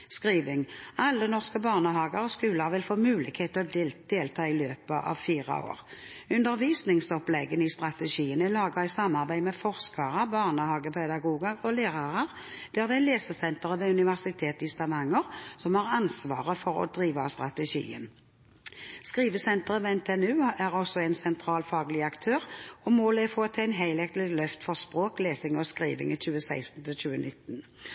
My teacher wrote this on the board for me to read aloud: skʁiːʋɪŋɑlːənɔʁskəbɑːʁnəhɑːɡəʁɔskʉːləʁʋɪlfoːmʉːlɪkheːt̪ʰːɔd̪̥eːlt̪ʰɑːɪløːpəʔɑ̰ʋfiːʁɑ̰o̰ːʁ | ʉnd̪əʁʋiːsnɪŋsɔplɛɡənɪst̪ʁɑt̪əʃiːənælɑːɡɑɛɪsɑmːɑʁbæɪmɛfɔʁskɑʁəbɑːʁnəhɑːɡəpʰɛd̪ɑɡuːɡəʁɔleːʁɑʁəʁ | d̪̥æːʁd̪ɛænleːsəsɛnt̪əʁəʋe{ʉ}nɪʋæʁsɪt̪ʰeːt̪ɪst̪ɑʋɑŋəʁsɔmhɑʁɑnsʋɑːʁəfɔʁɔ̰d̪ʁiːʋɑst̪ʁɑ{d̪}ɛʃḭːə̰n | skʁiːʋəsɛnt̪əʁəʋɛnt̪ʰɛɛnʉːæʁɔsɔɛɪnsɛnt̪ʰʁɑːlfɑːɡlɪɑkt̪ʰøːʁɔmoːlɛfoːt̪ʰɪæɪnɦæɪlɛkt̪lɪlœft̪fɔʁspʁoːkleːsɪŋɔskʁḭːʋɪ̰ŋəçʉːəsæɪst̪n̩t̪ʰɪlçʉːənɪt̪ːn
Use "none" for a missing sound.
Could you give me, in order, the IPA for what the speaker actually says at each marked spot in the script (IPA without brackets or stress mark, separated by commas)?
ʉ, t̪